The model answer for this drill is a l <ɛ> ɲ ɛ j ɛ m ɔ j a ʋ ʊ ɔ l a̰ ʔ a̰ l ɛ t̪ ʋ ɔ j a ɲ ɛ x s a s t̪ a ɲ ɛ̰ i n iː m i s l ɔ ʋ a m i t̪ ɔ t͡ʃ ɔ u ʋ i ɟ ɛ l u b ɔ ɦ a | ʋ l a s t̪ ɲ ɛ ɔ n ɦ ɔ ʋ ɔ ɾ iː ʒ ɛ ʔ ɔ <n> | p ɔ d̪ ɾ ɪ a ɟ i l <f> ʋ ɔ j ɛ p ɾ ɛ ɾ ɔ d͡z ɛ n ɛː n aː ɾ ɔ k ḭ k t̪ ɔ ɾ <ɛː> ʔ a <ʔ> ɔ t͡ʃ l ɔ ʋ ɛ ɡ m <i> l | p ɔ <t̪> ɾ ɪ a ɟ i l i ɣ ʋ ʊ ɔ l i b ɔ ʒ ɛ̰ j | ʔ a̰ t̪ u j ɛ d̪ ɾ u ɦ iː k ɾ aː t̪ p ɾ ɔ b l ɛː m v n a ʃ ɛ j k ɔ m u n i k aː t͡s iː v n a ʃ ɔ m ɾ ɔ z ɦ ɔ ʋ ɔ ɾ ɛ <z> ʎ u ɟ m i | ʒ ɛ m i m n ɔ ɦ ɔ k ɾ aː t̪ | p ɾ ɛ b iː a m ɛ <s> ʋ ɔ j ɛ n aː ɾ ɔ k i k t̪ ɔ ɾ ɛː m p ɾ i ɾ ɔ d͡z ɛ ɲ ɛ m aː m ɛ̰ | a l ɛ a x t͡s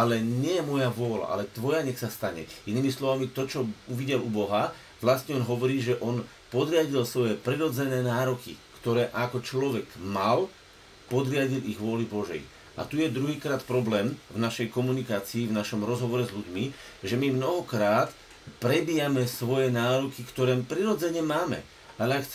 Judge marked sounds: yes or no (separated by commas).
yes, yes, no, yes, no, no, no, yes, yes